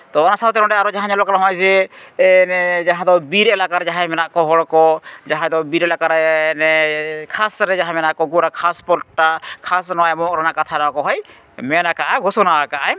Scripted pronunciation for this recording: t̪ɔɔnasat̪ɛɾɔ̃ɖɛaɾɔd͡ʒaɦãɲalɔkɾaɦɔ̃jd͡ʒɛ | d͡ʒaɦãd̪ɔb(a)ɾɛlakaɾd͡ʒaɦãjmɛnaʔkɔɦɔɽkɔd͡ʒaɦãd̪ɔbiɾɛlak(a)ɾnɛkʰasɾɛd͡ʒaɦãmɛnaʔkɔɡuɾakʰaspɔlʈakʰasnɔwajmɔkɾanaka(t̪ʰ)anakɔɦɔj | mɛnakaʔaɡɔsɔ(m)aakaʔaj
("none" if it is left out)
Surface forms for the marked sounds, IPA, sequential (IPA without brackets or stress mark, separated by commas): i, a, t̪ʰ, n